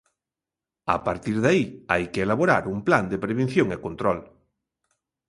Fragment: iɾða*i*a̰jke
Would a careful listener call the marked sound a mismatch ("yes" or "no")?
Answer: no